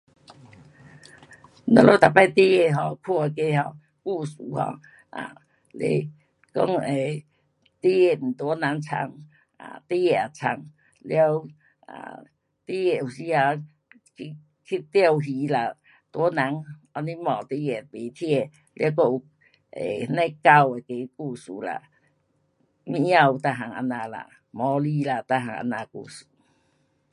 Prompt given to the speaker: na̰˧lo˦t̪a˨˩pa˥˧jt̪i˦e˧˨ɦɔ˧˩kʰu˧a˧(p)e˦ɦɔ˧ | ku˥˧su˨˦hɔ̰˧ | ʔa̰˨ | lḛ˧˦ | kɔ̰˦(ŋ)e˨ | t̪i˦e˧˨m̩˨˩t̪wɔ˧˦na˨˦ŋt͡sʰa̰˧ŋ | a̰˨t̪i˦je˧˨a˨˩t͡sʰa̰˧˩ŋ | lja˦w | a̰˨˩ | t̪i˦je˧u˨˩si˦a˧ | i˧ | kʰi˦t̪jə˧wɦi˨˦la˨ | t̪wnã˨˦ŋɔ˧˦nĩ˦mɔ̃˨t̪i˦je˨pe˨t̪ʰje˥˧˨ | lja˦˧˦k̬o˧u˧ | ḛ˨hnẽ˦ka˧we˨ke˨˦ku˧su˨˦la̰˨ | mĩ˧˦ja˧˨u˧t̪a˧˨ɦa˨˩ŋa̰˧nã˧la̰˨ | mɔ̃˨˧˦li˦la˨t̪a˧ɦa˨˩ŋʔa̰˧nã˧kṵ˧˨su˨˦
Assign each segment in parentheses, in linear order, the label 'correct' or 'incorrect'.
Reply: incorrect, correct

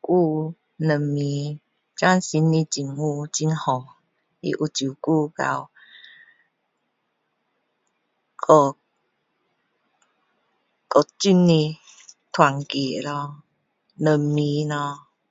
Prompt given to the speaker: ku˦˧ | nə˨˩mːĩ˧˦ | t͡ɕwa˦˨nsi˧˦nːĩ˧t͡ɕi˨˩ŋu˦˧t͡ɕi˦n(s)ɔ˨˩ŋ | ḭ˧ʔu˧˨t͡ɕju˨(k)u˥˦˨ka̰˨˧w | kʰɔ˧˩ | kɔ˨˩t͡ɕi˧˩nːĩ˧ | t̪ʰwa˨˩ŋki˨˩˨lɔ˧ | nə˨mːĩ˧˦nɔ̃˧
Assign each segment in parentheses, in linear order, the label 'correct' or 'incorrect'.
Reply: incorrect, correct

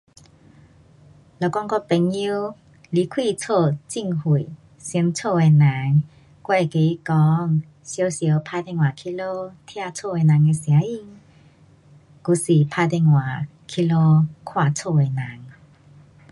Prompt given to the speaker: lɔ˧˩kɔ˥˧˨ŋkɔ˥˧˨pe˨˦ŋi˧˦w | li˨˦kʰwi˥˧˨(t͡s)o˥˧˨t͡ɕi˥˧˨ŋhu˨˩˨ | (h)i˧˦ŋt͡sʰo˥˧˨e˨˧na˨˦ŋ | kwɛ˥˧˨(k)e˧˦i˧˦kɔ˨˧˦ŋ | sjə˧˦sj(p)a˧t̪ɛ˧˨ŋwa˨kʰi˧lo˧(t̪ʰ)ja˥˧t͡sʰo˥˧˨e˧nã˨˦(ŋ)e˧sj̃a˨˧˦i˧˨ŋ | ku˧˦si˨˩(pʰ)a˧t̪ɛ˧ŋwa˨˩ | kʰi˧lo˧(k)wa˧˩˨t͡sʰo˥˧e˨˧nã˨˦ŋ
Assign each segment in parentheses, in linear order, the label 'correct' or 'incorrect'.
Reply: incorrect, incorrect, correct, incorrect, correct, correct, correct, incorrect

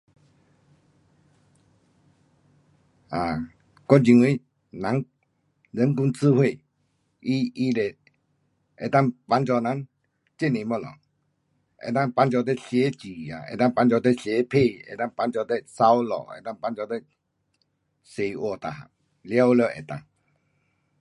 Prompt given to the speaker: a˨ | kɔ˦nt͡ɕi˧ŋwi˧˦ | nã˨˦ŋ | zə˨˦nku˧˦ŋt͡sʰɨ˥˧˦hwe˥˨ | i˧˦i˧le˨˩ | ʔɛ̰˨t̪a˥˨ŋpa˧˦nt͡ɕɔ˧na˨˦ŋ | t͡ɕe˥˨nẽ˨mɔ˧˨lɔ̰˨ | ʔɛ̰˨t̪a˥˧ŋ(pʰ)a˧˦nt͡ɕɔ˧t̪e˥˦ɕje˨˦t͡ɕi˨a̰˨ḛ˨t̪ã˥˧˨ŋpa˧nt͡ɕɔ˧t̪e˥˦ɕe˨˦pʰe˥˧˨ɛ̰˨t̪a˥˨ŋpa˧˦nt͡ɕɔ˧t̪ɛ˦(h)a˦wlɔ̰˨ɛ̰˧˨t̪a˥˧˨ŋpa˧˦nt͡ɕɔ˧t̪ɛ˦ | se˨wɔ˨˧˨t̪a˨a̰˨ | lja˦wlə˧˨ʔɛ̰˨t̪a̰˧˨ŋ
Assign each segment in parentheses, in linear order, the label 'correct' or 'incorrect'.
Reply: incorrect, incorrect

